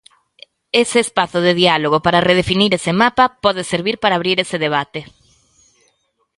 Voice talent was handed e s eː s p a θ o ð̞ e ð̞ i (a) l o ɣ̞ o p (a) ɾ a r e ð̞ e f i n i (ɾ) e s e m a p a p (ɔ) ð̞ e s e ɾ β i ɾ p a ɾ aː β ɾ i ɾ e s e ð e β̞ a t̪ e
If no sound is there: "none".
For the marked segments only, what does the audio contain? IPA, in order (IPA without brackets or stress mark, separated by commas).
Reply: a, a, ɾ, ɔ